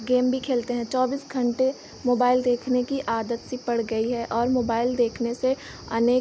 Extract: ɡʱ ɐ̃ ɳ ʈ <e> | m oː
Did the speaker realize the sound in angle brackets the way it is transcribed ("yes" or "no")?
yes